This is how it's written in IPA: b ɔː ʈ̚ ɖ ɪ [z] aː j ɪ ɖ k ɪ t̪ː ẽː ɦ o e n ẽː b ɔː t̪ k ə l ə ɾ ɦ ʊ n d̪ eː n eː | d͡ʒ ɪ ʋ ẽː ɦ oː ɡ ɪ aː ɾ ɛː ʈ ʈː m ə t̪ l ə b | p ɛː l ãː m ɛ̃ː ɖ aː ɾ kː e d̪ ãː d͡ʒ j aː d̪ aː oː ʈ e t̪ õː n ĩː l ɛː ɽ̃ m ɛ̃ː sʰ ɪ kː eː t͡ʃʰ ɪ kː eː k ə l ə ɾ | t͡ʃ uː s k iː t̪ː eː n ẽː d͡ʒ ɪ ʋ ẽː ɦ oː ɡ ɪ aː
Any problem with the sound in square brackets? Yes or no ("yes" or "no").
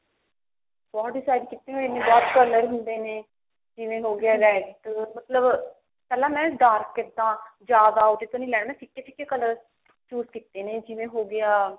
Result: yes